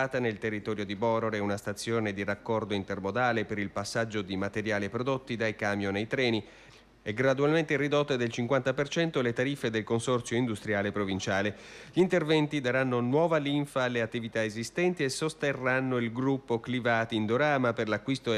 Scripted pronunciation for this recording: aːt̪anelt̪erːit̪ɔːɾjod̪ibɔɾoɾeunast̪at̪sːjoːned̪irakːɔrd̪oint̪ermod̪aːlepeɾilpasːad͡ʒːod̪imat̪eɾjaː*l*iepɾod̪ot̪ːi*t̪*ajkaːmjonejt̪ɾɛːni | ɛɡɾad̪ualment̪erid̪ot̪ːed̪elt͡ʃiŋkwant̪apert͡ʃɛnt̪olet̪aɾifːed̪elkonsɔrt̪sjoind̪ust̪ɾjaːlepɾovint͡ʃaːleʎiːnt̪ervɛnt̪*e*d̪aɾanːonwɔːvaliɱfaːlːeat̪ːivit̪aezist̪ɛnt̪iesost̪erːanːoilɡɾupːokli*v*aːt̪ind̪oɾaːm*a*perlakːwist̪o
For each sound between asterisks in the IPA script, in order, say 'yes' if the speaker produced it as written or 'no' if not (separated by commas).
yes, no, no, yes, yes